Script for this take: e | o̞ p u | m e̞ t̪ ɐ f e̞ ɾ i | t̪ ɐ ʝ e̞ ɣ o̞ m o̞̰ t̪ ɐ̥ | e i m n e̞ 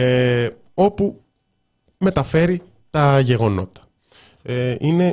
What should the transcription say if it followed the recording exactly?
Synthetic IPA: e | o̞ p u | m e̞ t̪ ɐ f e̞ ɾ i | t̪ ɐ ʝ e̞ ɣ o̞ n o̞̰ t̪ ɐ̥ | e i n e̞